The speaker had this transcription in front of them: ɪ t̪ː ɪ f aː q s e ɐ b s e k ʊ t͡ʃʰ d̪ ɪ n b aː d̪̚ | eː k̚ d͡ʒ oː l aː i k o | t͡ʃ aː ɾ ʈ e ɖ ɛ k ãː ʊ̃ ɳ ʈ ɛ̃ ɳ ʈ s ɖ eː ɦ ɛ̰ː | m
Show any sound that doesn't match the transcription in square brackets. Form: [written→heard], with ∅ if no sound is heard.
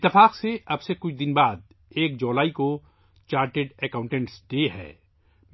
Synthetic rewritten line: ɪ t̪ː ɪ f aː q s e ɐ b s e k ʊ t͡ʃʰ d̪ ɪ n b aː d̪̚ | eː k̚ d͡ʒ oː l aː i k o | t͡ʃ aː ɾ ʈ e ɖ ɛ k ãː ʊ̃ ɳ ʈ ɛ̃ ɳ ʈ s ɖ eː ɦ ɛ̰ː | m